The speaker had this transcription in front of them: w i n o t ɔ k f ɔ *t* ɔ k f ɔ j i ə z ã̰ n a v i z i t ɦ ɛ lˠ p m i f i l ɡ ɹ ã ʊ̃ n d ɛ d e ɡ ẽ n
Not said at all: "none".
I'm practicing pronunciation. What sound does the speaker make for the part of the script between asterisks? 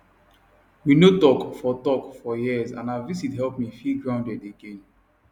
t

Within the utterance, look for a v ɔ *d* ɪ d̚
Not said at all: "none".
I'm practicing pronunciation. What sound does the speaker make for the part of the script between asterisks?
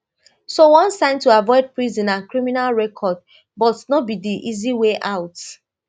none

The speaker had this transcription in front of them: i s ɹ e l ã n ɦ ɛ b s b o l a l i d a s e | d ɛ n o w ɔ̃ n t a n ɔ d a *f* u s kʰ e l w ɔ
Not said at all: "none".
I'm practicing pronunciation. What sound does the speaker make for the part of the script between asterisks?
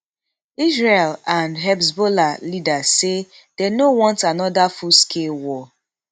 f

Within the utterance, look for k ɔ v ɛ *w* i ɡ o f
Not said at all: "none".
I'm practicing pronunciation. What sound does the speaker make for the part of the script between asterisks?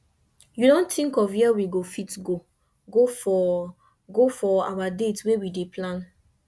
w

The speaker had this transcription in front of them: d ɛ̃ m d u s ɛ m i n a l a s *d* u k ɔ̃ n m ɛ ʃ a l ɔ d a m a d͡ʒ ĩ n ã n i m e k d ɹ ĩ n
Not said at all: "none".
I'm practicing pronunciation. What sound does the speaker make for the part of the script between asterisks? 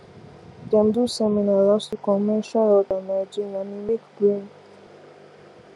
t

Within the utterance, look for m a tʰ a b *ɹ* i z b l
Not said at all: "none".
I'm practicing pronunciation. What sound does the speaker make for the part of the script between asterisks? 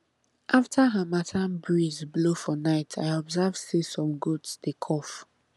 ɹ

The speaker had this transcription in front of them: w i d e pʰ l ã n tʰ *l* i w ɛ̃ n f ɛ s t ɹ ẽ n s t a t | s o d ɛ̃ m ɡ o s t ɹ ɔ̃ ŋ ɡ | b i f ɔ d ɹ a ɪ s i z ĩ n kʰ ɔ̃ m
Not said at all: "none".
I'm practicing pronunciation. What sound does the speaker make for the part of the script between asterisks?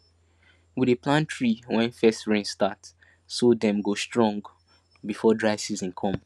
ɹ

